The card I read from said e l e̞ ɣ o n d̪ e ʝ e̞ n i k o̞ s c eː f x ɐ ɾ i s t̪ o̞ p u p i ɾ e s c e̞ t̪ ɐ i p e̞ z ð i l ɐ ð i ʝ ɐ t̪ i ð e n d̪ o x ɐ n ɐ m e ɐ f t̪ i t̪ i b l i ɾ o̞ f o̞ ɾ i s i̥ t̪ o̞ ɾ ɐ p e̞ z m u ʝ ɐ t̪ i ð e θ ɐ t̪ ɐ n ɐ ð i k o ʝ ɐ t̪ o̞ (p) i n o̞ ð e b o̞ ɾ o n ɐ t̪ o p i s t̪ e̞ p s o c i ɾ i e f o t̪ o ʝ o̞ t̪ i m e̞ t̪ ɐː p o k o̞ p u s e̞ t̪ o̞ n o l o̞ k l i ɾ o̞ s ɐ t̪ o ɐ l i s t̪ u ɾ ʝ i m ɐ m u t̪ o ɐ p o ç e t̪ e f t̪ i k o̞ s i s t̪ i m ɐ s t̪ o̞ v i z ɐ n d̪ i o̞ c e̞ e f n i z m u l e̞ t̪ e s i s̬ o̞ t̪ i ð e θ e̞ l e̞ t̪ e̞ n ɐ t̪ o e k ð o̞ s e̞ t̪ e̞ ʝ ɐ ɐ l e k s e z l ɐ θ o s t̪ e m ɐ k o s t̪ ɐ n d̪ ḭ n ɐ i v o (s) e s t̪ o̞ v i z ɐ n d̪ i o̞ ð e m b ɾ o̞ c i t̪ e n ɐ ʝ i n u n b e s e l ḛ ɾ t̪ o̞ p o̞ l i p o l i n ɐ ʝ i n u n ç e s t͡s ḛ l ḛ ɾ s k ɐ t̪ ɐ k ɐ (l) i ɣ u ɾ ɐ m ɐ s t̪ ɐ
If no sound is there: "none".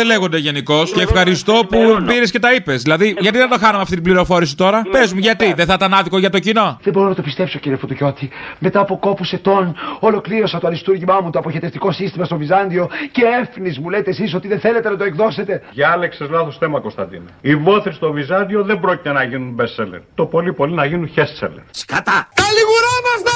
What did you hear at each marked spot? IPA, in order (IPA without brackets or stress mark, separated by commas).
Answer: c, θ, l